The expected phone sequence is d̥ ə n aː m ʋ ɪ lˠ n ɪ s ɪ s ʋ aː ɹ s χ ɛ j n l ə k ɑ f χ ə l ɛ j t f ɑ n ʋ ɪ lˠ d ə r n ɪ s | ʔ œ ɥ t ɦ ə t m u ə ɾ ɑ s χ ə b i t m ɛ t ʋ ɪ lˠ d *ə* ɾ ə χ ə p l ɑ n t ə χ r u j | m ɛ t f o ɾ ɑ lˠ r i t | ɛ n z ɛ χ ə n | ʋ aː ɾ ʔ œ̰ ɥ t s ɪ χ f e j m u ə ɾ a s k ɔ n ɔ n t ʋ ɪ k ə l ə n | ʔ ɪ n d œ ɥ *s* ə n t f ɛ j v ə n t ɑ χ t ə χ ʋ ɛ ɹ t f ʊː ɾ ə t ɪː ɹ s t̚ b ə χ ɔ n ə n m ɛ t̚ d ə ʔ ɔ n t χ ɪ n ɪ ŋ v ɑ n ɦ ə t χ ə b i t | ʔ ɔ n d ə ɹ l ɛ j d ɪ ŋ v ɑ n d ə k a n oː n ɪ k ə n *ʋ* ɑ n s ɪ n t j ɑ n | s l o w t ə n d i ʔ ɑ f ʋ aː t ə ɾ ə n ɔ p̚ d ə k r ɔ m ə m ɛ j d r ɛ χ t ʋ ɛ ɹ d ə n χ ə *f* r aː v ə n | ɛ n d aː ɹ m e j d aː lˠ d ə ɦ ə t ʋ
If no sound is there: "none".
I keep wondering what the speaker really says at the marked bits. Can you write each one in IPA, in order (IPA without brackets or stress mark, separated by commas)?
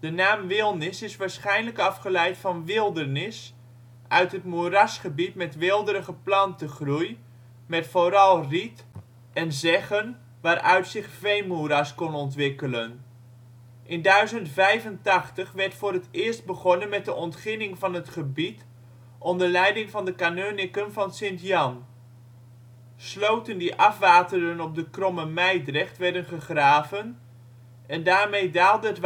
ə, z, v, χ